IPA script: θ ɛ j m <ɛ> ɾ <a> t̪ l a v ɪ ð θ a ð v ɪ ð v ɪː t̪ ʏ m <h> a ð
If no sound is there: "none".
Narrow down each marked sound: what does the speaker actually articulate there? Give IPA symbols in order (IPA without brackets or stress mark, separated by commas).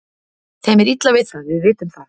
ɛ, i, θ